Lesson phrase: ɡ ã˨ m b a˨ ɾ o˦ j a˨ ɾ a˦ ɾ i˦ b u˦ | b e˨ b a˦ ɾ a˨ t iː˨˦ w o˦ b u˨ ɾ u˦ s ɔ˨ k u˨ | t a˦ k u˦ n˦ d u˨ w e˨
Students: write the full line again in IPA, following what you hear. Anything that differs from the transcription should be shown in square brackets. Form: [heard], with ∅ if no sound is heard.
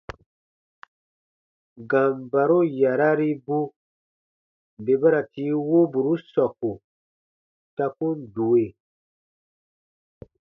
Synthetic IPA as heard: ɡ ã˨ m b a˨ ɾ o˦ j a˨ ɾ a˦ ɾ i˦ b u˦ | b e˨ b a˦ ɾ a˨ t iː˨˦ w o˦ b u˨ ɾ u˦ s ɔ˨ k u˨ | t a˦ k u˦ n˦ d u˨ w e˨